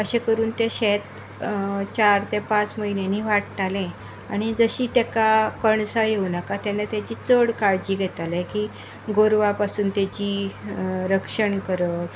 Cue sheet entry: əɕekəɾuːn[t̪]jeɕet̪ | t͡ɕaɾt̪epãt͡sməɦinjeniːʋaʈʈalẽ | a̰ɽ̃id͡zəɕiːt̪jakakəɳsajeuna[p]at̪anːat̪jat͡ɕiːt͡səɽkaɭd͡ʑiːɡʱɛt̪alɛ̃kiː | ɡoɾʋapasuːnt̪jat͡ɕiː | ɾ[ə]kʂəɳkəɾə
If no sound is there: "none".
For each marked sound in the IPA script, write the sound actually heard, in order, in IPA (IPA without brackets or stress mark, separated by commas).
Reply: t̪, k, ə